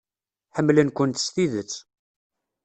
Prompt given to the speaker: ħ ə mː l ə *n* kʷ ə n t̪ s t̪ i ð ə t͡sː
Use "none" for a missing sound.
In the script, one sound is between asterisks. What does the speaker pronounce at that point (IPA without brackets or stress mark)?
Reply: n